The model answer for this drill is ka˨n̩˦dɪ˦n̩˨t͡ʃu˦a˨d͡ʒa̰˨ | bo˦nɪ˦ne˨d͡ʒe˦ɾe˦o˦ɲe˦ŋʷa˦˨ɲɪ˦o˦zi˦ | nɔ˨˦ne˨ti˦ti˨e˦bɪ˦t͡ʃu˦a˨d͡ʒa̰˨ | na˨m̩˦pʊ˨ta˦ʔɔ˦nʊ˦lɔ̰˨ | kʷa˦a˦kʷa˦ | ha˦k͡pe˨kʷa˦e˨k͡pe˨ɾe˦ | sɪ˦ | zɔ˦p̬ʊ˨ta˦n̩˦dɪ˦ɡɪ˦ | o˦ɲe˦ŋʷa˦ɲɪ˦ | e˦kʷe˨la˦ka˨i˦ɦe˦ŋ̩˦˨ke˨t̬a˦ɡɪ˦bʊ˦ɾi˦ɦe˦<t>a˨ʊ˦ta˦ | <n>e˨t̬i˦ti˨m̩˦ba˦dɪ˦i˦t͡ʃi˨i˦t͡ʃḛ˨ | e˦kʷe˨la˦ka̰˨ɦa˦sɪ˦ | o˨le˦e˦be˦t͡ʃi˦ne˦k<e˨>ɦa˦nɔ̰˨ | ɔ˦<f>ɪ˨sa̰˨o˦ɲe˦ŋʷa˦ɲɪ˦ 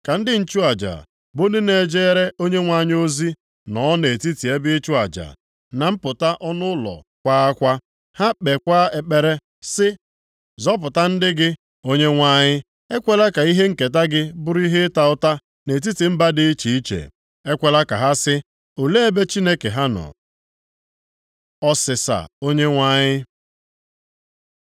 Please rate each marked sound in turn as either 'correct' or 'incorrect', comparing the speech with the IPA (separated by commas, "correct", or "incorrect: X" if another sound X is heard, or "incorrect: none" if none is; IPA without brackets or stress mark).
correct, correct, correct, incorrect: s